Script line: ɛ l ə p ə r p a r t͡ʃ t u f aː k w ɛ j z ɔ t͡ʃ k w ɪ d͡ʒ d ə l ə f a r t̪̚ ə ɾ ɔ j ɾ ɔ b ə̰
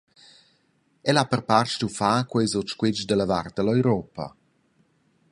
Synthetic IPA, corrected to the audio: ɛ l a p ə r p a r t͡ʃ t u f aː k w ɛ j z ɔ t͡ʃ k w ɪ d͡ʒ d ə l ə v a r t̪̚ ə l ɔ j ɾ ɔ p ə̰